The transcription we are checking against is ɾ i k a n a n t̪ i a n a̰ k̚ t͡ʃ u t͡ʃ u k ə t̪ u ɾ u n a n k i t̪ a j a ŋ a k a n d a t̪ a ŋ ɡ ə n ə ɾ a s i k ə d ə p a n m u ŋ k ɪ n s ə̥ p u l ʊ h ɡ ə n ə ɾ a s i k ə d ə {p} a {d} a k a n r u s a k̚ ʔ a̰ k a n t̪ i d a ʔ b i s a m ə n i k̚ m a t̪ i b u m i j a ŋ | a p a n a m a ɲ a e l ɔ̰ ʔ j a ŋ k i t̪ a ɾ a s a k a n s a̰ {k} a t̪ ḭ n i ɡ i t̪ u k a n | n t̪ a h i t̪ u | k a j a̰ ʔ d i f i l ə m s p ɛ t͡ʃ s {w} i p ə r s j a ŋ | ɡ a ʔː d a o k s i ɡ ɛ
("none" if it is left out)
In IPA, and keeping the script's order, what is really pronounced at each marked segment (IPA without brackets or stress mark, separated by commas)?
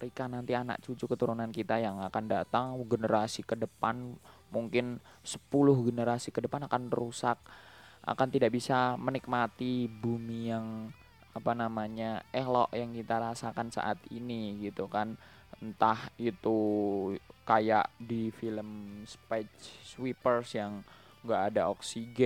p, n, ʔ, w